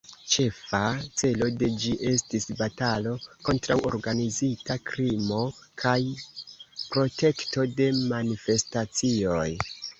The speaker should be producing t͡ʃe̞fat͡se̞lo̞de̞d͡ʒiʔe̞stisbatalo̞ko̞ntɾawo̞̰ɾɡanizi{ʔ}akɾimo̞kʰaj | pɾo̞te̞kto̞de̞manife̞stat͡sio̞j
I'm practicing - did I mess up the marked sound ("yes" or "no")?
yes